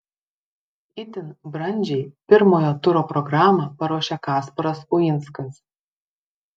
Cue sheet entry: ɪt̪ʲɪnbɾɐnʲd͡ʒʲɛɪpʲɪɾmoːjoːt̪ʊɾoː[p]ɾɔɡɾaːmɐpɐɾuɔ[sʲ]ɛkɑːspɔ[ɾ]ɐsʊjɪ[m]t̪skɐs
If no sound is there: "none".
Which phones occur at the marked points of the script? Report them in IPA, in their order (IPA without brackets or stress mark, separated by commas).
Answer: p, ʃʲ, ɾ, n